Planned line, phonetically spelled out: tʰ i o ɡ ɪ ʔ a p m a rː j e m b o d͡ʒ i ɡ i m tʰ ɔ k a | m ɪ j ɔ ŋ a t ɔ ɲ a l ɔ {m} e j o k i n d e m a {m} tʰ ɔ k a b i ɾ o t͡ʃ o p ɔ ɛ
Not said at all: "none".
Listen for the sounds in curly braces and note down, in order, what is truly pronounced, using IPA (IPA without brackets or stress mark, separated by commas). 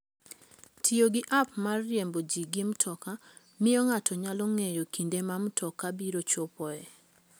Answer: ŋ, m